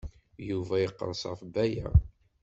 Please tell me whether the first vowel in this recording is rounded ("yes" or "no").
yes